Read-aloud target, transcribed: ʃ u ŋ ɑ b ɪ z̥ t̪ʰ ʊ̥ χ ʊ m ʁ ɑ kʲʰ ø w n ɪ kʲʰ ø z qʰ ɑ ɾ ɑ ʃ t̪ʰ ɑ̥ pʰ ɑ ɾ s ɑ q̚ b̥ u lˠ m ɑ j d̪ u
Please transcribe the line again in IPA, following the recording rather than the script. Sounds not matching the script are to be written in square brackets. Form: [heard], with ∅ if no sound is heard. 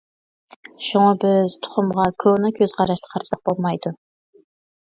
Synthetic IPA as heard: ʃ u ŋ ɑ b ɪ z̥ t̪ʰ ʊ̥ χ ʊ m ʁ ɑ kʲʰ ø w n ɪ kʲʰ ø z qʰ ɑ ɾ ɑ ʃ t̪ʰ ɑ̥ [qʰ] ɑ ɾ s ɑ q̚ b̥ [o] lˠ m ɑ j d̪ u